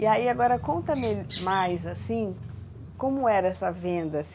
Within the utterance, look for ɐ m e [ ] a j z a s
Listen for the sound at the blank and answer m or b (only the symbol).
m